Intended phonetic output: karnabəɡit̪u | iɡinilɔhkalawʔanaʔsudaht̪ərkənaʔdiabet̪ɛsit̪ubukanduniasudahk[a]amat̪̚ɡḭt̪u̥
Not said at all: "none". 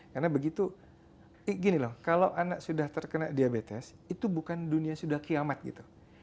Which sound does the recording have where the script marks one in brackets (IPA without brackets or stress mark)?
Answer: i